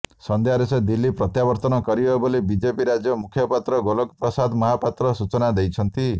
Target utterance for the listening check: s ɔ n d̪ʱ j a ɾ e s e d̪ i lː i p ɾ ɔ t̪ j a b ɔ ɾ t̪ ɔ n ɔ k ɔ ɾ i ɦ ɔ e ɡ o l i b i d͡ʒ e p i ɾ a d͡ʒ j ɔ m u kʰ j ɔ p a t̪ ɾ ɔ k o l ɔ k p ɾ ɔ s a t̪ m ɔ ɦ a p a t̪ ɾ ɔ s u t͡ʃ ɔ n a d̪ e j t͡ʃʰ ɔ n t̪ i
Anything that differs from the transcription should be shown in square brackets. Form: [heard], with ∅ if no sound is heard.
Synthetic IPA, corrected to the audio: s ɔ n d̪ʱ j a ɾ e s e d̪ i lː i p ɾ ɔ t̪ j a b ɔ ɾ t̪ ɔ n ɔ k ɔ ɾ i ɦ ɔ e [b] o l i b i d͡ʒ e p i ɾ a d͡ʒ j ɔ m u kʰ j ɔ p a t̪ ɾ ɔ [ɡ] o l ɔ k p ɾ ɔ s a [d̪] m ɔ ɦ a p a t̪ ɾ ɔ s u t͡ʃ ɔ n a d̪ e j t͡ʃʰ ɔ n t̪ i